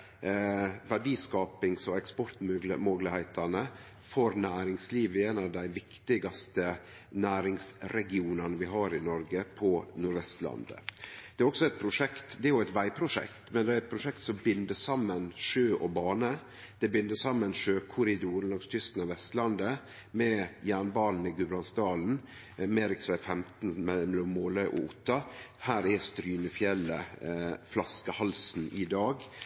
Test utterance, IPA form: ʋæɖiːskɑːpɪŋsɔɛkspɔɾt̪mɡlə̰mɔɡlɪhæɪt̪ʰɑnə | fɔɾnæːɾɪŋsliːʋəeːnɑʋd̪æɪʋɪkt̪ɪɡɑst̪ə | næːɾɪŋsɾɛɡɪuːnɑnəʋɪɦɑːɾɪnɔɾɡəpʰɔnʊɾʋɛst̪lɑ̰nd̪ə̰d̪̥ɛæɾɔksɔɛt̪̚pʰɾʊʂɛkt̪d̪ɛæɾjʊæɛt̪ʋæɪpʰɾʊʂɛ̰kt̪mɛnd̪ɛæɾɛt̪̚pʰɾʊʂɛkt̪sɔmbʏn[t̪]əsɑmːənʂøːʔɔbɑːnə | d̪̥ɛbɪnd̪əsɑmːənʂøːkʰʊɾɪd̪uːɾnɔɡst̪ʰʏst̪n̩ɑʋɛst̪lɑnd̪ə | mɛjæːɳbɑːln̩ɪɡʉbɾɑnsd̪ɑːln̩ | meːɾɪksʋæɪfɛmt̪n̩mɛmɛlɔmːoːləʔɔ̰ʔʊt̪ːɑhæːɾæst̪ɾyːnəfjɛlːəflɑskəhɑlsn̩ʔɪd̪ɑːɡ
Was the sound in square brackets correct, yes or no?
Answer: no